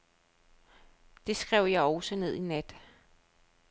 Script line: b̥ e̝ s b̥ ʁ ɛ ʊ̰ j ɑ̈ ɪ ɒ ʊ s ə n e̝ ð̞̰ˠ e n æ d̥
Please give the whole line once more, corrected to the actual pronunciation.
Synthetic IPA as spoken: d̥ e̝ s ɡ̥ ʁ ɛ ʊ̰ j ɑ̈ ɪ ɒ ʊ s ə n e̝ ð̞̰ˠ i n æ d̥